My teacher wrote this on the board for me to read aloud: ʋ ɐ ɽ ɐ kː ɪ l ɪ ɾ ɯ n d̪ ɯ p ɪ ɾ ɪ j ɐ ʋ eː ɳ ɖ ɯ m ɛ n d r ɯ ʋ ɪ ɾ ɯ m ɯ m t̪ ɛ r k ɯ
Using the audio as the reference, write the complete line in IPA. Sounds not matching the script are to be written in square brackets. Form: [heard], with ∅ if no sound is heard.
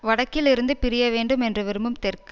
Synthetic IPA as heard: ʋ ɐ ɽ ɐ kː ɪ l ɪ ɾ ɯ n d̪ ɯ p ɪ ɾ ɪ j ɐ ʋ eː ɳ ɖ ɯ m ɛ n d r ɯ ʋ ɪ ɾ ɯ m ɯ m t̪ ɛ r k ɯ

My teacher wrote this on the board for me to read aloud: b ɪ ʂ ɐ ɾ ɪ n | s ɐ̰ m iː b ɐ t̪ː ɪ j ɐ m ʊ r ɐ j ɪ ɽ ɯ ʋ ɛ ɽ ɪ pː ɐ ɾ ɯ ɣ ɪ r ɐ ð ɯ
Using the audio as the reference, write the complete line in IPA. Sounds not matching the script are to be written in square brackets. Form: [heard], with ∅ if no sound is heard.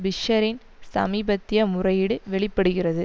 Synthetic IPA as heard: b ɪ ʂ ɐ ɾ ɪ n | s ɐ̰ m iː b ɐ t̪ː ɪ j ɐ m ʊ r ɐ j ɪ ɽ ɯ ʋ ɛ [ɭ] ɪ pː ɐ [ɽ] ɯ ɣ ɪ r ɐ ð ɯ

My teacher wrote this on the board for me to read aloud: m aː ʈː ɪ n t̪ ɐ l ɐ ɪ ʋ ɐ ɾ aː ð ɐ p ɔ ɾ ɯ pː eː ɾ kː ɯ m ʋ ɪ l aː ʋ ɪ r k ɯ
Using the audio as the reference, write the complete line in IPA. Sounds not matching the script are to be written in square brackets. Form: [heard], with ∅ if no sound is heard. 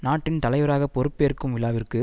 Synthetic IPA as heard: [n] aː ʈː ɪ n t̪ ɐ l ɐ ɪ ʋ ɐ ɾ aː [ɣ] ɐ p ɔ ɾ ɯ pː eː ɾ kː ɯ m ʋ ɪ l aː ʋ ɪ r k ɯ

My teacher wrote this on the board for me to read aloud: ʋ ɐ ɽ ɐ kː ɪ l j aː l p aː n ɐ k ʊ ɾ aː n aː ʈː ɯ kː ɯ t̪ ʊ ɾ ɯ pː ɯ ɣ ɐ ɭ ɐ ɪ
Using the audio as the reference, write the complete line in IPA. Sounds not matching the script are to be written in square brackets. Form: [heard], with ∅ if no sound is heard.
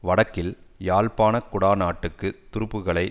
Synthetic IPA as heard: ʋ ɐ ɽ ɐ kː ɪ l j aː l p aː n ɐ k ʊ [ɽ] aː n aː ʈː ɯ kː ɯ t̪ ʊ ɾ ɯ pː ɯ ɣ ɐ ɭ ɐ ɪ

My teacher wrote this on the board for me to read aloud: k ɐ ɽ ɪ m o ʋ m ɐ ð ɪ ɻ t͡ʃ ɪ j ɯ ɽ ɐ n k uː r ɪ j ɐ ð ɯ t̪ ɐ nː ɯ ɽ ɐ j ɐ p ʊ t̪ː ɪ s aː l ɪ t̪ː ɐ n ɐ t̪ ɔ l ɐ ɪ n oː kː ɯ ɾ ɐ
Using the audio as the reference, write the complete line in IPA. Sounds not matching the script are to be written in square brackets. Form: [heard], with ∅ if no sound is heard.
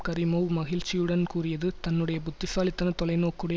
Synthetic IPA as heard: k ɐ [ɾ] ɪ m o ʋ m ɐ [ɣ] ɪ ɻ t͡ʃ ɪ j ɯ ɽ ɐ n k uː r ɪ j ɐ ð ɯ t̪ ɐ nː ɯ ɽ ɐ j ɐ p ʊ t̪ː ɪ s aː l ɪ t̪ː ɐ n ɐ t̪ ɔ l ɐ ɪ n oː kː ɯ [ɽ] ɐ

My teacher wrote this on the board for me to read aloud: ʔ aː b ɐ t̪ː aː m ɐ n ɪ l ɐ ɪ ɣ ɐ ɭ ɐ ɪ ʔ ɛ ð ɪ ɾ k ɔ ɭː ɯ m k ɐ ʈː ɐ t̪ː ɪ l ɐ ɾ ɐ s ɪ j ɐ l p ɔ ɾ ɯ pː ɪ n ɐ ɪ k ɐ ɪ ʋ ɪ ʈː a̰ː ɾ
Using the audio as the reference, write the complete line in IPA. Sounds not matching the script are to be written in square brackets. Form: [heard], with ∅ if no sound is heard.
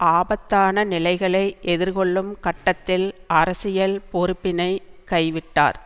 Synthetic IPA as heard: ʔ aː b ɐ t̪ː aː [n] ɐ n ɪ l ɐ ɪ ɣ ɐ ɭ ɐ ɪ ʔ ɛ ð ɪ ɾ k ɔ ɭː ɯ m k ɐ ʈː ɐ t̪ː ɪ l ɐ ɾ ɐ s ɪ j ɐ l p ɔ ɾ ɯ pː ɪ n ɐ ɪ k ɐ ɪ ʋ ɪ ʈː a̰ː ɾ

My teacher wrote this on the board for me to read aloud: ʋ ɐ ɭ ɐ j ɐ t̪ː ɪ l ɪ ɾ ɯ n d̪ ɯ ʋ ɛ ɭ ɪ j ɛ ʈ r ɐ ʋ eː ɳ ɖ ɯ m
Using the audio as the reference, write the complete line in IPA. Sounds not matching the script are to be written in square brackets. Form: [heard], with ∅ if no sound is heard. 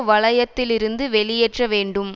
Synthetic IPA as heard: ʋ ɐ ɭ ɐ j ɐ t̪ː ɪ l ɪ ɾ ɯ n d̪ ɯ ʋ ɛ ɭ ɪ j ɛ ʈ r ɐ ʋ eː ɳ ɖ ɯ m

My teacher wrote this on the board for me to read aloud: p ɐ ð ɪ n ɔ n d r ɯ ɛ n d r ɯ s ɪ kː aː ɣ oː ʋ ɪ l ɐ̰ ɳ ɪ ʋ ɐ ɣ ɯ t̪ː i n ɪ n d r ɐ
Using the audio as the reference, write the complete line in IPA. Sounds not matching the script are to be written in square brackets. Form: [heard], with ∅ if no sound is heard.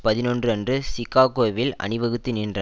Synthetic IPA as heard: p ɐ ð ɪ n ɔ n d r ɯ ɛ n d r ɯ s ɪ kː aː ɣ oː ʋ ɪ l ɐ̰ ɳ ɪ ʋ ɐ ɣ ɯ t̪ː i n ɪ n d r ɐ

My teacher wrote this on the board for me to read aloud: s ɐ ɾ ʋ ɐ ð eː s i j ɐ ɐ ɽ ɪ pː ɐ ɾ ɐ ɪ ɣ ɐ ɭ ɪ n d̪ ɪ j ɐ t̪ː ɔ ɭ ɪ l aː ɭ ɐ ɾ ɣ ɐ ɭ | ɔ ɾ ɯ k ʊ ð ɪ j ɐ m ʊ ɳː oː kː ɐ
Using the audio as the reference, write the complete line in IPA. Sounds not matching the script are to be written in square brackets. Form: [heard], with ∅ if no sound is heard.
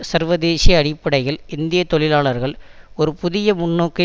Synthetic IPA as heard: s ɐ ɾ ʋ ɐ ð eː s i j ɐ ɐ ɽ ɪ pː ɐ [ɽ] ɐ ɪ ɣ ɐ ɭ ɪ n d̪ ɪ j ɐ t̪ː ɔ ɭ ɪ l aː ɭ ɐ ɾ ɣ ɐ ɭ | ɔ ɾ ɯ [p] ʊ ð ɪ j ɐ m ʊ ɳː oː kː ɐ

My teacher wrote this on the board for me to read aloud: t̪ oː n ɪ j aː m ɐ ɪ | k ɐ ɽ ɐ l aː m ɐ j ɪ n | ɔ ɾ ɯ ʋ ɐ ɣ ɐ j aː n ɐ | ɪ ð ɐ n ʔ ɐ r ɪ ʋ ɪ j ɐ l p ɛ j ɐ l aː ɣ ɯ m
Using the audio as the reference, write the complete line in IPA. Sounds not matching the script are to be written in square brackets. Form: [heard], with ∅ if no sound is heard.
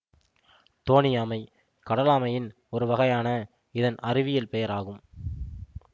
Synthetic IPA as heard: t̪ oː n ɪ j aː m ɐ ɪ | k ɐ ɽ ɐ l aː m ɐ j ɪ n | ɔ ɾ ɯ ʋ ɐ ɣ ɐ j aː n ɐ | ɪ ð ɐ n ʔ ɐ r ɪ ʋ ɪ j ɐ l p ɛ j ɐ [ɾ] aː ɣ ɯ m

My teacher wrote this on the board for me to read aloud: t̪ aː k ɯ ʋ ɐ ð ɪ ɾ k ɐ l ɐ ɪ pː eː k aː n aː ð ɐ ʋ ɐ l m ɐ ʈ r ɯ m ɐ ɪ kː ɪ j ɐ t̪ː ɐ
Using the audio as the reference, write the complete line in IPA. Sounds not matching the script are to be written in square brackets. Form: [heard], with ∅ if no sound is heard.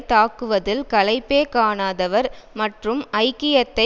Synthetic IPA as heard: t̪ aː k ɯ ʋ ɐ ð ɪ [l] k ɐ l ɐ ɪ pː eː k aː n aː ð ɐ ʋ ɐ [ɾ] m ɐ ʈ r ɯ m ɐ ɪ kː ɪ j ɐ t̪ː ɐ

